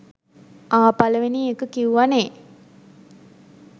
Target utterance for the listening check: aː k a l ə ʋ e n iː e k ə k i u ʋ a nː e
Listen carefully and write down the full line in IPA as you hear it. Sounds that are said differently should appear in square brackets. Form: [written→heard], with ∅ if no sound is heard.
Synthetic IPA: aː [k→p] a l ə ʋ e n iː e k ə k i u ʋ a [nː→n] e